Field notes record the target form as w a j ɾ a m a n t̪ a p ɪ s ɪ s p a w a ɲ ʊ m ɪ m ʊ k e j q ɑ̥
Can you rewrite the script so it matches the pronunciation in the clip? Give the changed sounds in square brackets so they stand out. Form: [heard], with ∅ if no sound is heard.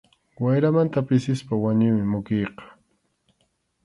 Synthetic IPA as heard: w a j ɾ a m a n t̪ a p ɪ s ɪ s p a w a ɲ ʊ m ɪ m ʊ k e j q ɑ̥

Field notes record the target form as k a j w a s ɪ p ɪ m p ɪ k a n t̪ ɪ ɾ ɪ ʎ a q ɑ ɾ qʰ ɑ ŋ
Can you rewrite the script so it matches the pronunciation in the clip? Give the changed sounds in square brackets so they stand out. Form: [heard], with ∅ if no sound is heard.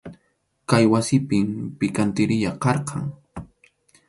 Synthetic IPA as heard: k a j w a s ɪ p ɪ m p ɪ k a n t̪ ɪ ɾ ɪ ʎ a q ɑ ɾ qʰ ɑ ŋ

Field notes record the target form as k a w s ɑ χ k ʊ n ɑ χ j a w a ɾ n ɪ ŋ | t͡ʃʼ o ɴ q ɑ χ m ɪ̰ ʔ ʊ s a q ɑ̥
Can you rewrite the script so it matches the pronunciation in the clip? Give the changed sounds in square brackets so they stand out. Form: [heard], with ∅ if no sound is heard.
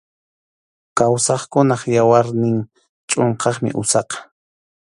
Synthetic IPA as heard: k a w s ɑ χ k ʊ n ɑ χ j a w a ɾ n ɪ ŋ | t͡ʃʼ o ɴ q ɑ χ m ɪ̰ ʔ ʊ s [ɑ] q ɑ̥

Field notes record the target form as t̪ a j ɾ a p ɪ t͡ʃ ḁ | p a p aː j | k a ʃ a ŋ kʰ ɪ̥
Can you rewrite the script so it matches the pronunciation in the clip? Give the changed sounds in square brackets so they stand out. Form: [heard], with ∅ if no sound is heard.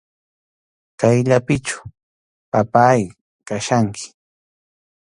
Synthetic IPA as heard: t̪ a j [ʎ] a p ɪ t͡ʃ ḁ | p a p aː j | k a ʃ a ŋ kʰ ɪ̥

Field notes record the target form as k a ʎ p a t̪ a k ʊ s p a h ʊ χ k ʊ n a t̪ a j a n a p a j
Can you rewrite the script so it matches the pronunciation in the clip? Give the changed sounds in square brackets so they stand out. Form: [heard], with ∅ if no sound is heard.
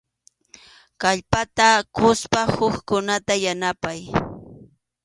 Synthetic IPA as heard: k a ʎ p a t̪ a k ʊ s p a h ʊ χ k ʊ n a t̪ a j a n a p a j

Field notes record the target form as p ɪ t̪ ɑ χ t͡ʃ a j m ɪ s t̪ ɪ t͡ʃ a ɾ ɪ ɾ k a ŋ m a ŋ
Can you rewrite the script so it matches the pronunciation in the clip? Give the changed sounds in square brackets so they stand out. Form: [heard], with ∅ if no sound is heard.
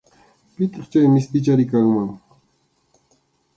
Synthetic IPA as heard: p ɪ t̪ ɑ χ t͡ʃ a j m ɪ s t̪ ɪ t͡ʃ a ɾ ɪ [∅] k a ŋ m a ŋ

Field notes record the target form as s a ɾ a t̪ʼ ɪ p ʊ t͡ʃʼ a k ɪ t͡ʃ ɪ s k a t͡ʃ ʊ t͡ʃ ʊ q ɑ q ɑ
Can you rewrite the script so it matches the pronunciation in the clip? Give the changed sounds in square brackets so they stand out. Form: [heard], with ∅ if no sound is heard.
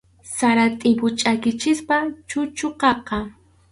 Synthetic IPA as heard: s a ɾ a t̪ʼ ɪ p ʊ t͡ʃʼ a k ɪ t͡ʃ ɪ s [p] a t͡ʃ ʊ t͡ʃ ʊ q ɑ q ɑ

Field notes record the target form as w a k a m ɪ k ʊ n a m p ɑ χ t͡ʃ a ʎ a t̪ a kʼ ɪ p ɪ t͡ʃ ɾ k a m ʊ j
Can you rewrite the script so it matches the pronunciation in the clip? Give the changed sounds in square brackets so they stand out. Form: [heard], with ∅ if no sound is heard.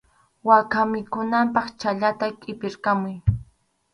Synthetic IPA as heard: w a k a m ɪ k ʊ n a m p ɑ χ t͡ʃ a ʎ a t̪ a kʼ ɪ p ɪ [∅] ɾ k a m ʊ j

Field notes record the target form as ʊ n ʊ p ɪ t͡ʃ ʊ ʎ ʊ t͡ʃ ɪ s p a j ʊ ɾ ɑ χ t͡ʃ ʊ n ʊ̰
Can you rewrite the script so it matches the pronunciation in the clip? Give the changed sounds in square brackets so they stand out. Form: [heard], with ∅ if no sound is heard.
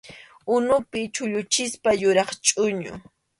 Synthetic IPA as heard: ʊ n ʊ p ɪ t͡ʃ ʊ ʎ ʊ t͡ʃ ɪ s p a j ʊ ɾ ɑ χ [t͡ʃʼ] ʊ [ɲ] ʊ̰

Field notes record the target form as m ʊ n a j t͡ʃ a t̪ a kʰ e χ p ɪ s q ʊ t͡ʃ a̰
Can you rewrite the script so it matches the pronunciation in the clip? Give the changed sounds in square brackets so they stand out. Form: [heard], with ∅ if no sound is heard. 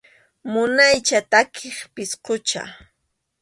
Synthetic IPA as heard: m ʊ n a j t͡ʃ a t̪ a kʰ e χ p ɪ s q ʊ t͡ʃ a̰

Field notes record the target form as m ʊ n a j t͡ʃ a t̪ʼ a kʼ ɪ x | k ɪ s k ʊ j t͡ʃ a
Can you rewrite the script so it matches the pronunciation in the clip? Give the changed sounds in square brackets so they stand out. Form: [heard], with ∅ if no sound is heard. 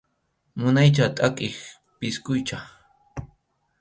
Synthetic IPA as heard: m ʊ n a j t͡ʃ a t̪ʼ a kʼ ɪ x | [p] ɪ s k ʊ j t͡ʃ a

